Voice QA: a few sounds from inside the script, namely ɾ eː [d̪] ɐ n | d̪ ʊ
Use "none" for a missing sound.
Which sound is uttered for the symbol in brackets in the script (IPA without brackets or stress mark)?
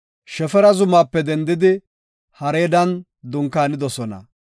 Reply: d̪